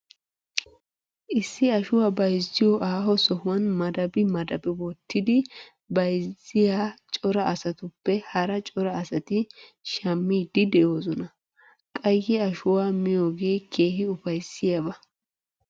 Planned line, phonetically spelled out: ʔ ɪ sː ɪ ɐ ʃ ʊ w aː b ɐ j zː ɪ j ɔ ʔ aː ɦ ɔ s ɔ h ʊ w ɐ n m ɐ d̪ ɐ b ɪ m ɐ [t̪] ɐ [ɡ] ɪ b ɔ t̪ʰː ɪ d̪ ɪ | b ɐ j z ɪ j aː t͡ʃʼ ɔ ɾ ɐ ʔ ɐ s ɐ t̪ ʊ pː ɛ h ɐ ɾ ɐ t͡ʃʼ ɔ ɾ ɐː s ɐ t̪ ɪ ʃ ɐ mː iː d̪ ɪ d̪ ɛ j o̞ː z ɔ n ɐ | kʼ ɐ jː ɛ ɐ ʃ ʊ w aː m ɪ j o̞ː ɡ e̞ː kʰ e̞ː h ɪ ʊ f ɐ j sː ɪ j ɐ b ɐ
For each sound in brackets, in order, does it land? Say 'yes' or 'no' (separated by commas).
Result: no, no